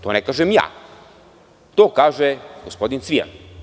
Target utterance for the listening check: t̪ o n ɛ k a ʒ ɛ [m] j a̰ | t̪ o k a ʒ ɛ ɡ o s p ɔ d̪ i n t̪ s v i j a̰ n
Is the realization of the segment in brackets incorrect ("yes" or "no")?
no